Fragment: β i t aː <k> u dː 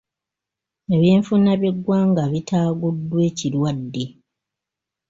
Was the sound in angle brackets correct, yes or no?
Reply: no